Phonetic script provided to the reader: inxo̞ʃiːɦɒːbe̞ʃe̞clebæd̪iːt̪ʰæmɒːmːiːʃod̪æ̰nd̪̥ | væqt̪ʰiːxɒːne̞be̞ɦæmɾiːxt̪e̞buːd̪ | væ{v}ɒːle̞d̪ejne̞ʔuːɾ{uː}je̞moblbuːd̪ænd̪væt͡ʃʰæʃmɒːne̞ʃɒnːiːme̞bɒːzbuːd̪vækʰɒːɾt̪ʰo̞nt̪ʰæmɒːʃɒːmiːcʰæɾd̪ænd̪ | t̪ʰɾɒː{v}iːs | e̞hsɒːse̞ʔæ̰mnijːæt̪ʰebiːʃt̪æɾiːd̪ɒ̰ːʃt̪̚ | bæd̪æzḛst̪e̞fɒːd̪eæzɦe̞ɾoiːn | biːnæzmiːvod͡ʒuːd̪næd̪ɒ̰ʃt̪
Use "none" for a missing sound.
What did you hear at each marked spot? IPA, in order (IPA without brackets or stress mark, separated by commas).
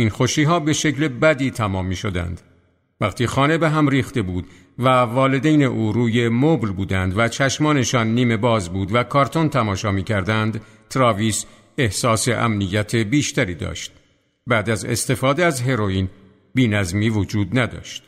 v, uː, v